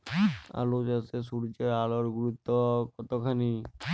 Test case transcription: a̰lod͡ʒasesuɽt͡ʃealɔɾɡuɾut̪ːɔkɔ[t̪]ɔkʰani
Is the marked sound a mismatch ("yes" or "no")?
no